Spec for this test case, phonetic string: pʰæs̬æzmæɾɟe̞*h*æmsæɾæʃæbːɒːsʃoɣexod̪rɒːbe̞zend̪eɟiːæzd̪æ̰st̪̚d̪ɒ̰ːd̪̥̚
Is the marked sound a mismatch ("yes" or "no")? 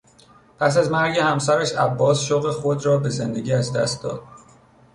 no